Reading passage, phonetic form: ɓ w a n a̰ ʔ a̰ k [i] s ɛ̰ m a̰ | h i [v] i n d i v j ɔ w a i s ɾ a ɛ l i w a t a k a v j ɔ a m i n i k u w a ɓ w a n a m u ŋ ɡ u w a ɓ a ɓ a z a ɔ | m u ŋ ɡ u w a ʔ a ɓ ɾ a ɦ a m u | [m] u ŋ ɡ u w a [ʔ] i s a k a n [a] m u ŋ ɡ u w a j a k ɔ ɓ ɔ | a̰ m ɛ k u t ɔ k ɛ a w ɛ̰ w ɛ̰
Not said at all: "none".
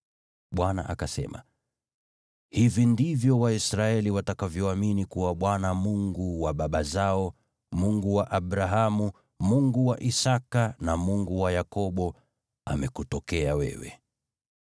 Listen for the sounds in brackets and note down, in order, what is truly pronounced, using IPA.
a, v, m, ʔ, a

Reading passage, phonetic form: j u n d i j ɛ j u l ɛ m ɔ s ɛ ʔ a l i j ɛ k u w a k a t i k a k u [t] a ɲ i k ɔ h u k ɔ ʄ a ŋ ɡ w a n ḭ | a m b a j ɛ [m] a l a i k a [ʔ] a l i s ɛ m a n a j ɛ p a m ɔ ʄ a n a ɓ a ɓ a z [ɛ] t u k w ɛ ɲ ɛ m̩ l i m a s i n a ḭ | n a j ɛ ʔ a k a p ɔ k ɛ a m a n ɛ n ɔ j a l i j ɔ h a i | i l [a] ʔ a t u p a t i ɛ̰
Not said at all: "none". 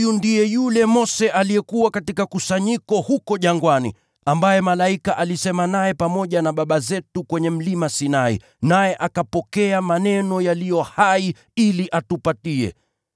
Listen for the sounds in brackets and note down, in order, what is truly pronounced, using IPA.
s, m, ʔ, ɛ, i

